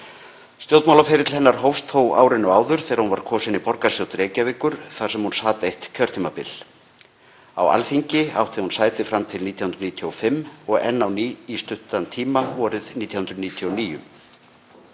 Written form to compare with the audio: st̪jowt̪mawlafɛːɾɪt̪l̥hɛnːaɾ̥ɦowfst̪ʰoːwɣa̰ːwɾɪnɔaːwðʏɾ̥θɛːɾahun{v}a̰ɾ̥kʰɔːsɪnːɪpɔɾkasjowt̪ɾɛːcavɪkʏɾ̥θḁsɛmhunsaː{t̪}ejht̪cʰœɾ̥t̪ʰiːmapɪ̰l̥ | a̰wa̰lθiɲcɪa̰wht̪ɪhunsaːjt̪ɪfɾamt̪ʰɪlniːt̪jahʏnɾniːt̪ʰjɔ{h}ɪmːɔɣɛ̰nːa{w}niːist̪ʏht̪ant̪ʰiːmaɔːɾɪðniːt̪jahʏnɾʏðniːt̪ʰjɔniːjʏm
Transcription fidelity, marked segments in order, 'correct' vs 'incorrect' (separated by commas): correct, correct, incorrect, correct